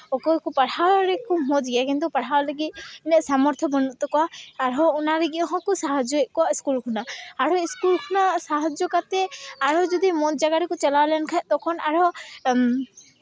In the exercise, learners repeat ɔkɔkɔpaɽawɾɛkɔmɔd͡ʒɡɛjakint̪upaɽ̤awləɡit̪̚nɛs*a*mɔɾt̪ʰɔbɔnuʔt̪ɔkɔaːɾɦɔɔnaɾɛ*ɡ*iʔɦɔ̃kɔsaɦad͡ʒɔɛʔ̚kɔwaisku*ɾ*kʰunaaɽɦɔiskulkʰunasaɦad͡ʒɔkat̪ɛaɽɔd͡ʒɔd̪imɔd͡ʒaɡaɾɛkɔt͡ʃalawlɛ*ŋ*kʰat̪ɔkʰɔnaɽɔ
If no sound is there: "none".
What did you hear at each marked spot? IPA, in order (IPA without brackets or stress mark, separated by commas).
a, ɡ, l, n